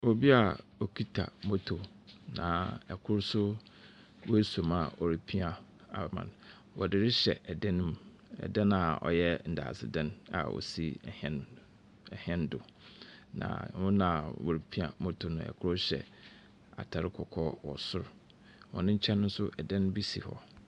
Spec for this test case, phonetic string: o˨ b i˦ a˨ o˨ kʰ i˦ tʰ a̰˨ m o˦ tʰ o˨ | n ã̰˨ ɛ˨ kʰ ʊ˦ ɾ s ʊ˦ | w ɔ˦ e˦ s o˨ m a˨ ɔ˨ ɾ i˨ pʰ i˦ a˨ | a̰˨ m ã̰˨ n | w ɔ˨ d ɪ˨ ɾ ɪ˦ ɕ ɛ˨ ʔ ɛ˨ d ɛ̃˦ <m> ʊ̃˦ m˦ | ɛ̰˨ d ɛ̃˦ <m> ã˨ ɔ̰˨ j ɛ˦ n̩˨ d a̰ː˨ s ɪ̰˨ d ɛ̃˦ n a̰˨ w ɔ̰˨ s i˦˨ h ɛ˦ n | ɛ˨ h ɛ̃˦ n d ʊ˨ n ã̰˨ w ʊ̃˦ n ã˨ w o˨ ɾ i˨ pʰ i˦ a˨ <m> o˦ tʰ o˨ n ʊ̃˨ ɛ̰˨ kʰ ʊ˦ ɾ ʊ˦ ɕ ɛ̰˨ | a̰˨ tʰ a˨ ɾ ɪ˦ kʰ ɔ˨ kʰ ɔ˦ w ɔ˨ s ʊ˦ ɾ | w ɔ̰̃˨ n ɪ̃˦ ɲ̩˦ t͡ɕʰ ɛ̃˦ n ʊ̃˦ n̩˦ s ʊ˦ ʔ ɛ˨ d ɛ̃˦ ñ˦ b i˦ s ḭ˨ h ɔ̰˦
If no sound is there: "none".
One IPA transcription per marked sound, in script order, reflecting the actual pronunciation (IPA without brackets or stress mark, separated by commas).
n, n, m